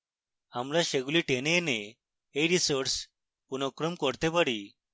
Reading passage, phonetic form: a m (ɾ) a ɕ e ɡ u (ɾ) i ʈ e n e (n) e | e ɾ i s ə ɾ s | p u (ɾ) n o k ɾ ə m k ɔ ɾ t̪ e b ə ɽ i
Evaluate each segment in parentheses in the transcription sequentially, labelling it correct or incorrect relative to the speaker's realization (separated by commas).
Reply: incorrect, incorrect, correct, incorrect